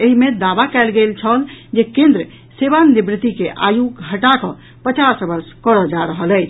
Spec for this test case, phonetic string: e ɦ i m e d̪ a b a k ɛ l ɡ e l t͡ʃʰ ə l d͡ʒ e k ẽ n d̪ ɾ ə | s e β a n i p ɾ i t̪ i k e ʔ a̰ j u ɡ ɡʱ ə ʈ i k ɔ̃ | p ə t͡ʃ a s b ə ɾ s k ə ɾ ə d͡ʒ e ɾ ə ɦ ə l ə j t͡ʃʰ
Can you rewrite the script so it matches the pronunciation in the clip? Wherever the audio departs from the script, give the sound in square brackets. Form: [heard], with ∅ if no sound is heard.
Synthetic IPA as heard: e ɦ i m e d̪ a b a k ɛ l ɡ e l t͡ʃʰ ə l d͡ʒ e k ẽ n d̪ ɾ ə | s e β a n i [b] ɾ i t̪ i k e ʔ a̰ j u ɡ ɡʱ ə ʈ [a] k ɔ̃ | p ə t͡ʃ a s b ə ɾ s k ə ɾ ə d͡ʒ [a] ɾ ə ɦ ə l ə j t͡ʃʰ